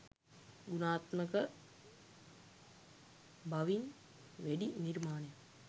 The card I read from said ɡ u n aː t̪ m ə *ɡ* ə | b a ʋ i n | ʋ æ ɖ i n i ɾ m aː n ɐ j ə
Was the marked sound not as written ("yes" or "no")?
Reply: yes